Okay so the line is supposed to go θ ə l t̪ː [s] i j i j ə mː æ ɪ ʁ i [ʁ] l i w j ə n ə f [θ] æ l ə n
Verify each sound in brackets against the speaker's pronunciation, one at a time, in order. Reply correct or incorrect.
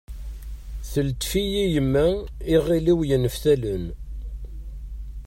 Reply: incorrect, incorrect, correct

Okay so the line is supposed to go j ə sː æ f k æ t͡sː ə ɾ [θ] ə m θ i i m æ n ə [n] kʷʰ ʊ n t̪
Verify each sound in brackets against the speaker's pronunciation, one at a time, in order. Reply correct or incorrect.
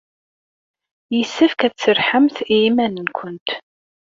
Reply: incorrect, correct

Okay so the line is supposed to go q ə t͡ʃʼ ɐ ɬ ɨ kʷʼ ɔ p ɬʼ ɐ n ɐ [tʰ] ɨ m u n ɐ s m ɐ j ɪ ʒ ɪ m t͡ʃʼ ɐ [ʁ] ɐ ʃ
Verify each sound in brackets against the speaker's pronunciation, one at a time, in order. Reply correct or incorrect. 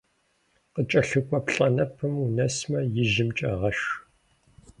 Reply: incorrect, correct

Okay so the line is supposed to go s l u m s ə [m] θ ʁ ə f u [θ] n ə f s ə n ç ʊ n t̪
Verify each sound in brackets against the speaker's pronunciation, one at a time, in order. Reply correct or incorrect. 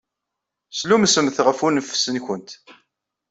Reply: correct, incorrect

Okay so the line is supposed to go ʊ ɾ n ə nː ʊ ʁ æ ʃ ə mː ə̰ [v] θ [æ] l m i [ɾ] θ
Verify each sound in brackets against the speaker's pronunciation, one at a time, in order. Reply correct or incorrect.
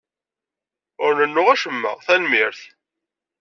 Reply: incorrect, correct, correct

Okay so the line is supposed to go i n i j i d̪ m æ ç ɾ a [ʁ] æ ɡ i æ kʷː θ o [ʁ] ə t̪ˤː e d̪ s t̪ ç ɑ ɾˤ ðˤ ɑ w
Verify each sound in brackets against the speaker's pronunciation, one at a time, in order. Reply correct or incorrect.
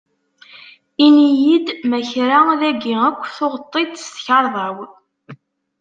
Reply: incorrect, correct

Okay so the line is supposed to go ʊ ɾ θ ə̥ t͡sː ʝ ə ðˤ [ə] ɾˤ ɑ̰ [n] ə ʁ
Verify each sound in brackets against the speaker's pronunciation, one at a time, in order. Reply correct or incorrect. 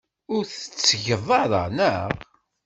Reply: incorrect, correct

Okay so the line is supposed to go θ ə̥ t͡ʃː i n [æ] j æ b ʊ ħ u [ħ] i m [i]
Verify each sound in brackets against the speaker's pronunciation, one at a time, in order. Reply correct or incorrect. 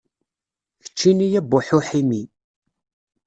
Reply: incorrect, correct, correct

